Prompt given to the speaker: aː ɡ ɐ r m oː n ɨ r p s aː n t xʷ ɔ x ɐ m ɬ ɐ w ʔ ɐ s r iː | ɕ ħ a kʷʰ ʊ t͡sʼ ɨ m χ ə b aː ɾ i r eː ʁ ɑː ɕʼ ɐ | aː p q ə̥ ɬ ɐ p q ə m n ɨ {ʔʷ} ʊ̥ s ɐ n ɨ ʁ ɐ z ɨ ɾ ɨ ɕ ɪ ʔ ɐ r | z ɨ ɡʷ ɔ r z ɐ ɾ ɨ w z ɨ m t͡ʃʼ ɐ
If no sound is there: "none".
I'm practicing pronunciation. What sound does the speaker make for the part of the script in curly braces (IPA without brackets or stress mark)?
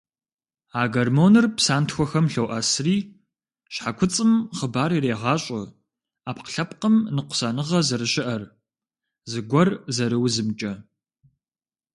qʷ